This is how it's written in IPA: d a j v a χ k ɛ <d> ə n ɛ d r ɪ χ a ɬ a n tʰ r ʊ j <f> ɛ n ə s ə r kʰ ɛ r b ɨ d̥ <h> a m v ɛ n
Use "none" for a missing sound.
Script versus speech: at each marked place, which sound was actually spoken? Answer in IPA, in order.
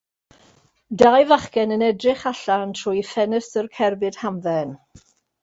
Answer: n, f, h

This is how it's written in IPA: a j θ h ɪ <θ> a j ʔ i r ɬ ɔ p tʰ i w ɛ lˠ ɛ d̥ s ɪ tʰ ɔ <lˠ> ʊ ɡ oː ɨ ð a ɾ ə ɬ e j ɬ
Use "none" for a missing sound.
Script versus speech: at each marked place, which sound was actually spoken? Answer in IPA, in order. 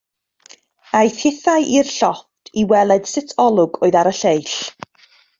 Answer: θ, lˠ

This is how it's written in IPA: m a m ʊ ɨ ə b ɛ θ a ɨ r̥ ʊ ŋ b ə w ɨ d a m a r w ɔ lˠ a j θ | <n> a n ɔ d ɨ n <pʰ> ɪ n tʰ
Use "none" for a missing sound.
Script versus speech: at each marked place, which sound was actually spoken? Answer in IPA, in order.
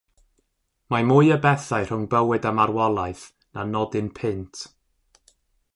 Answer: n, pʰ

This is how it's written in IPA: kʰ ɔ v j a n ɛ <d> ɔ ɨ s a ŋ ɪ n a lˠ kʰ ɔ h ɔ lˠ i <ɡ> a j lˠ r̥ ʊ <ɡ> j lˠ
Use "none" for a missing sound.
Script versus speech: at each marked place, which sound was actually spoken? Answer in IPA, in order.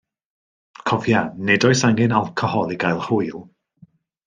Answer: d, ɡ, none

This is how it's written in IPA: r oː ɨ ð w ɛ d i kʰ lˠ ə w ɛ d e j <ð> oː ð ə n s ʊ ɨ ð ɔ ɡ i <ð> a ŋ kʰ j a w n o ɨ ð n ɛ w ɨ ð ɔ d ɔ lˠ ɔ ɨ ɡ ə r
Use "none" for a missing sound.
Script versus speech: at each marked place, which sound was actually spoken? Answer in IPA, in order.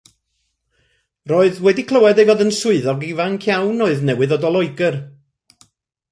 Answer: v, v

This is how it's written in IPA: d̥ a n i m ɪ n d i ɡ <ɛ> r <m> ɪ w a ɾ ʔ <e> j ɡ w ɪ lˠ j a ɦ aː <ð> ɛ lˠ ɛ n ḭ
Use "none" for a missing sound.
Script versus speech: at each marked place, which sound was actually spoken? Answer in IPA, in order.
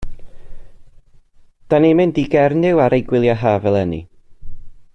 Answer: ɛ, n, e, v

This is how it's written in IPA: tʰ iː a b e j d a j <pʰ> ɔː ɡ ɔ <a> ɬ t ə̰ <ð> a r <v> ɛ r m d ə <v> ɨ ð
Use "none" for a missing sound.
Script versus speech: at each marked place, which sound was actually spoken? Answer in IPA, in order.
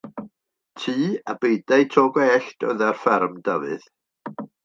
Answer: tʰ, ɛ, ð, f, v

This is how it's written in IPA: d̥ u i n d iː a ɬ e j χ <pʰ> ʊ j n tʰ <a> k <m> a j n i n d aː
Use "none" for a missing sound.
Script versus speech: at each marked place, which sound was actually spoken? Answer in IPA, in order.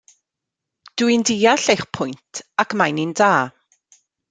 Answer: pʰ, a, m

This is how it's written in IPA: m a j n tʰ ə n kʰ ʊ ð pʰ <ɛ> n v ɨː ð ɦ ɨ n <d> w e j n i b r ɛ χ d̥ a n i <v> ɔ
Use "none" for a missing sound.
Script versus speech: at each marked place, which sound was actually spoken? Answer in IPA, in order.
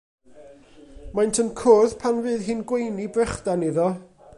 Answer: a, ɡ, ð

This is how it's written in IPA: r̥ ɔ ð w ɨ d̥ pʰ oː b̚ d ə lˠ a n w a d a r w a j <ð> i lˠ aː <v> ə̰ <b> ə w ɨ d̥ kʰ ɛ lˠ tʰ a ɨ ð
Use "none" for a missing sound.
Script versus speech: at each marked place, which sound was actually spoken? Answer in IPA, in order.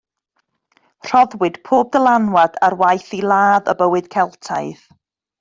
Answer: θ, ð, b

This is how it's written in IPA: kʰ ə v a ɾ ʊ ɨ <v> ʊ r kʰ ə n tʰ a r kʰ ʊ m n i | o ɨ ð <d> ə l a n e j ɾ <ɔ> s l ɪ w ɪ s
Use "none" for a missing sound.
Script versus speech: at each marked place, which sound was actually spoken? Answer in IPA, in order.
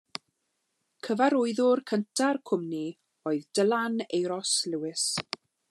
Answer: ð, d, ɔ

